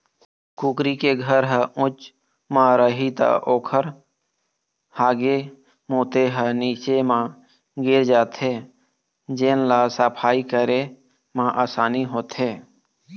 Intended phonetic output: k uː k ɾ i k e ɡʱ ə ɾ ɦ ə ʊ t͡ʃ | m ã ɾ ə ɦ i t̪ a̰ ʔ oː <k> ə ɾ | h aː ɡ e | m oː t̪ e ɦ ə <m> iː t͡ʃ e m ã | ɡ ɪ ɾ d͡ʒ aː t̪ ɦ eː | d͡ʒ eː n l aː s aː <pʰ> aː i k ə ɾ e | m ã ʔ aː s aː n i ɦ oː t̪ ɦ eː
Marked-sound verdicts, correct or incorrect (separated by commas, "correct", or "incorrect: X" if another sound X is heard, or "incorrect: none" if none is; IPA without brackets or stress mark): incorrect: kʰ, incorrect: n, correct